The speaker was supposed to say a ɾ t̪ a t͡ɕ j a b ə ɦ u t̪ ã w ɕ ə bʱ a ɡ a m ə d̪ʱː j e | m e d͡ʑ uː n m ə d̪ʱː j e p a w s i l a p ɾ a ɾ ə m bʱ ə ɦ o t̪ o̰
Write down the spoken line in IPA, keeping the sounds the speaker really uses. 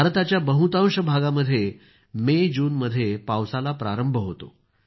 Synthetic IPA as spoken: a ɾ t̪ a t͡ɕ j a b ə ɦ u t̪ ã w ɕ ə bʱ a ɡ a m ə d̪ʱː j e | m e d͡ʑ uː n m ə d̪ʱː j e p a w s a l a p ɾ a ɾ ə m bʱ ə ɦ o t̪ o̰